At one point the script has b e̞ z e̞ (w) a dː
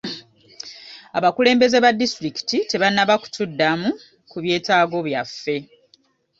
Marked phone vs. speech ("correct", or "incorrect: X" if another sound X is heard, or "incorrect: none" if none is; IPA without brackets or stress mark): incorrect: β